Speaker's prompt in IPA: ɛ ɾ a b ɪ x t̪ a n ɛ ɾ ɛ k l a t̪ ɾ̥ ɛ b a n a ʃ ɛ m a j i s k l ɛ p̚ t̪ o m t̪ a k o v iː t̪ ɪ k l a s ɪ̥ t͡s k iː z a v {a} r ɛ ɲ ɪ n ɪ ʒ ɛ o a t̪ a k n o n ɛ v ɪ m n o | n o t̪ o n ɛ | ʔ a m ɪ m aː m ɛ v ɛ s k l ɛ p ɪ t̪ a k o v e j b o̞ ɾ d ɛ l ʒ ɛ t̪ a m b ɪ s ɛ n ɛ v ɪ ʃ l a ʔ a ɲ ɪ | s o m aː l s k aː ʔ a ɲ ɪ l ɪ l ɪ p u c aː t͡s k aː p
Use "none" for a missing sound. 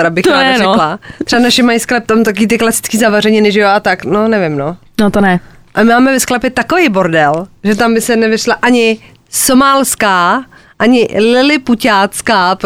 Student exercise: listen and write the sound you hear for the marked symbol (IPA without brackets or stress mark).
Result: a